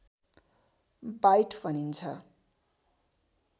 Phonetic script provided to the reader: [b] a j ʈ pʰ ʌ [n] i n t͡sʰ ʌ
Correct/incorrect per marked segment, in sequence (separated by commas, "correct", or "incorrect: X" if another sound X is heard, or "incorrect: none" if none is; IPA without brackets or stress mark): correct, correct